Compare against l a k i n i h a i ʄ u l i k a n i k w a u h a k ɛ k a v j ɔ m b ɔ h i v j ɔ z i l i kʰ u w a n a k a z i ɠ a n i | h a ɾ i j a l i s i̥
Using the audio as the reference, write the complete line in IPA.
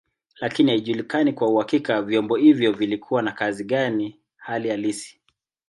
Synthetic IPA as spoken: l a k i n i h a i ʄ u l i k a n i k w a u h a k i k a v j ɔ m b ɔ h i v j ɔ v i l i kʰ u w a n a k a z i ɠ a n i | h a l i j a l i s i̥